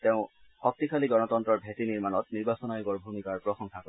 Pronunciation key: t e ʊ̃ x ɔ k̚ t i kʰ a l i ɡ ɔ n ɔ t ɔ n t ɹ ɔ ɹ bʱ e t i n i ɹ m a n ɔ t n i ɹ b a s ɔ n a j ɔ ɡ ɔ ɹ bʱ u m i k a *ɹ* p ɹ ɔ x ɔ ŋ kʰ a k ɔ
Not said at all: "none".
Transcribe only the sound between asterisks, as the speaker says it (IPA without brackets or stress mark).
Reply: ɹ